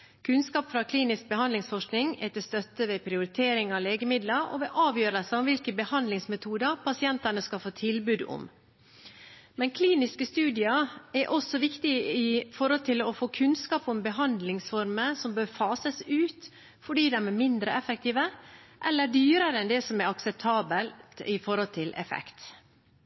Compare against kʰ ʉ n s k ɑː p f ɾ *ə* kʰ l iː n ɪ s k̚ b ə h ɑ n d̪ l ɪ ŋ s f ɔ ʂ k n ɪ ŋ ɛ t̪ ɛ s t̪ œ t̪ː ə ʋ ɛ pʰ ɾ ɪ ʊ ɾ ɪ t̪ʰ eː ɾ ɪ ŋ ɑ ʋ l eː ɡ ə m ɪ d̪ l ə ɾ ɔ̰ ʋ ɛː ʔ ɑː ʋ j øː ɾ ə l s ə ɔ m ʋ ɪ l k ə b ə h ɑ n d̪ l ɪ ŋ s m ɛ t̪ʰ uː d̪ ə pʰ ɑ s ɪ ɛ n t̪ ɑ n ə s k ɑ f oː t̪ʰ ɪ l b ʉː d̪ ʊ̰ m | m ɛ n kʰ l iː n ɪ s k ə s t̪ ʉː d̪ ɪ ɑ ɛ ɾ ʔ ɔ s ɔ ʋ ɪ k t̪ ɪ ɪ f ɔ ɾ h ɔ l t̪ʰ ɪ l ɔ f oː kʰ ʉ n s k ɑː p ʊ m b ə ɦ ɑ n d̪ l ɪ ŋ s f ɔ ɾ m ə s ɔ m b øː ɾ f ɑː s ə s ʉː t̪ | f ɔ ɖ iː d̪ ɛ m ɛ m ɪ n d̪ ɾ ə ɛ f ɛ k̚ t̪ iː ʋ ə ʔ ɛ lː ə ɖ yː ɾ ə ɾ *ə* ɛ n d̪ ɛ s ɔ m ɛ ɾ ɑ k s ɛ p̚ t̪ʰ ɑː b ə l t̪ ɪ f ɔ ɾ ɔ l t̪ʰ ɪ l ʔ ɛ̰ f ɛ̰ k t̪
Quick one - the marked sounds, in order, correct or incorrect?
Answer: incorrect, correct

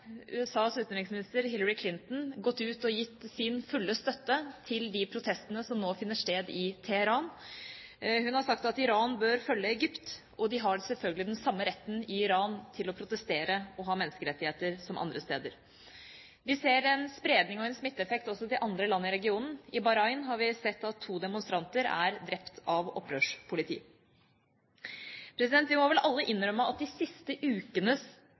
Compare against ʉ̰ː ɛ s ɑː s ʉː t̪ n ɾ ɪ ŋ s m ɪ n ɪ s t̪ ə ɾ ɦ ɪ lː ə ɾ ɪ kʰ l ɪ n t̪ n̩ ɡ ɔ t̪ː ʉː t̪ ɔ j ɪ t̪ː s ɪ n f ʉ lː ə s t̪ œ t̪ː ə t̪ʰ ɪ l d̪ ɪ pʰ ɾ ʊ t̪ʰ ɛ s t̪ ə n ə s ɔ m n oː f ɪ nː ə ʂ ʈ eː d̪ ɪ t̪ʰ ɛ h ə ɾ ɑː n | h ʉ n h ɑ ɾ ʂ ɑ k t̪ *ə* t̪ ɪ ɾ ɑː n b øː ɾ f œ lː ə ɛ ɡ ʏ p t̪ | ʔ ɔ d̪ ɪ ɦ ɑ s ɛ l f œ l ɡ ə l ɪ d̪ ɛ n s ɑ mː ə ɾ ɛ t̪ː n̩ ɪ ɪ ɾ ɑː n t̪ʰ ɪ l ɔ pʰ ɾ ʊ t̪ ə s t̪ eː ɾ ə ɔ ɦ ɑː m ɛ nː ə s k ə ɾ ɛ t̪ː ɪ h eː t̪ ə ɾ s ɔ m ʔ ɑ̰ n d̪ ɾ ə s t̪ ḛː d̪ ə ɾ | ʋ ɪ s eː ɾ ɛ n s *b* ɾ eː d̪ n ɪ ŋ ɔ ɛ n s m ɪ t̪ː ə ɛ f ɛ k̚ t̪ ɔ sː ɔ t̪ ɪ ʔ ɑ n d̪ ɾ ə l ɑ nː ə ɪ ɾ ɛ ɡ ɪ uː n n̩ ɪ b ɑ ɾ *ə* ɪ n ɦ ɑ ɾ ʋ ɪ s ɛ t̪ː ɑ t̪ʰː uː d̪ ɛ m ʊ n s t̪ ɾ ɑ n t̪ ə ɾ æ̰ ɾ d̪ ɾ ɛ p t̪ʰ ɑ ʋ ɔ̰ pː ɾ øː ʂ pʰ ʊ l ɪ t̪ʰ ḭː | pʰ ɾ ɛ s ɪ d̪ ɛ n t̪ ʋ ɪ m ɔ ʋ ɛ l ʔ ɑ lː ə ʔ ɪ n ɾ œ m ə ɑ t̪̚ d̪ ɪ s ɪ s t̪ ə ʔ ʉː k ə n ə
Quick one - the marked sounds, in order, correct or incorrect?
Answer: incorrect, incorrect, incorrect

